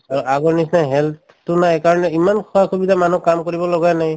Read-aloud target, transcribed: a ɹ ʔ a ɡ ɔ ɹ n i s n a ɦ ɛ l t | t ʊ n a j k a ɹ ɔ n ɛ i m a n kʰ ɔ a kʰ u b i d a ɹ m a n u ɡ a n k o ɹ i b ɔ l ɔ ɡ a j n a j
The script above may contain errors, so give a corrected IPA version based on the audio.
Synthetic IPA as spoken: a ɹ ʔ a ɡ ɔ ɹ n i s n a ɦ ɛ l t | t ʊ n a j k a ɹ ɔ n ɛ i m a n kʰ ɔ a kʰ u b i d a m a n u k a m k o ɹ i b ɔ l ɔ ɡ a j n a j